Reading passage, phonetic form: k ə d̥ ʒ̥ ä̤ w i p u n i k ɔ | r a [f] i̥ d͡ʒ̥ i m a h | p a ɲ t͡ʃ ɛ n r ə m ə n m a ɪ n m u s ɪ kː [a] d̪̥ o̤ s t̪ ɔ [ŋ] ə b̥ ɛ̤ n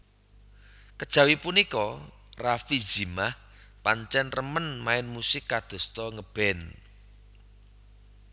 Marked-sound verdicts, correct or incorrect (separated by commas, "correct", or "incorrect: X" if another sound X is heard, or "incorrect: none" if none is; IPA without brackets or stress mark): correct, correct, correct